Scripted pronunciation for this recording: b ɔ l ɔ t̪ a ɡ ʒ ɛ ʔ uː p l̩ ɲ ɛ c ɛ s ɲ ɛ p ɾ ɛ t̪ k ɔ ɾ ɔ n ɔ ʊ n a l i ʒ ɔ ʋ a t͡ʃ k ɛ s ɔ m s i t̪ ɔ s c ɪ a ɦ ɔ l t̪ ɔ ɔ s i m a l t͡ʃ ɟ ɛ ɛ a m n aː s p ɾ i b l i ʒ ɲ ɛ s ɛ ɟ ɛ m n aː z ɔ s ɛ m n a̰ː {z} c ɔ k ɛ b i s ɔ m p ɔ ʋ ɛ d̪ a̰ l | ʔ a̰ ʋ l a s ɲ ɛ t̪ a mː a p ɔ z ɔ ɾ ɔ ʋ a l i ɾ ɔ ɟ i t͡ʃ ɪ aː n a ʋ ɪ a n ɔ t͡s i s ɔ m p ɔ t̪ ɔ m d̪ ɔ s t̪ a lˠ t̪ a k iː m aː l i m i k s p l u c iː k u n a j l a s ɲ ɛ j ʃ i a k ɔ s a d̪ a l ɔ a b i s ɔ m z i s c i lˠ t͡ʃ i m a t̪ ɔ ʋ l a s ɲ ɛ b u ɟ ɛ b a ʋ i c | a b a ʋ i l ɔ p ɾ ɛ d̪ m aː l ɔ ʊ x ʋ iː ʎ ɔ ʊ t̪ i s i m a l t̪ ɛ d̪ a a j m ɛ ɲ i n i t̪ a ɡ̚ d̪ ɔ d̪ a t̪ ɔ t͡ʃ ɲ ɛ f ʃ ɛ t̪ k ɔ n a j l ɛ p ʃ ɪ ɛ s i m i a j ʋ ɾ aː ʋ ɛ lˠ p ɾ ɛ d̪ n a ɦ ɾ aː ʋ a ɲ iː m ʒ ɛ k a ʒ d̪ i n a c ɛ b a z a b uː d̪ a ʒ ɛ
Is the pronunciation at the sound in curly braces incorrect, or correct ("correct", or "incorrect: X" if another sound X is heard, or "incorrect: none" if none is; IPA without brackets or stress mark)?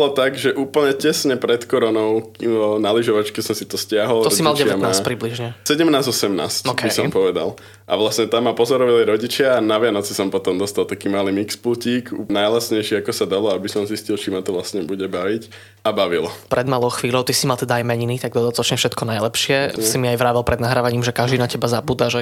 incorrect: s